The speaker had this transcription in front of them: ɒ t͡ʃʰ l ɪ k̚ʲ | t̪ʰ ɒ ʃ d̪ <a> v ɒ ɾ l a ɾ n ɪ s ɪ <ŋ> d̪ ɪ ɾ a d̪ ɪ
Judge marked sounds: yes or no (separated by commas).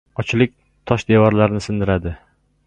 no, no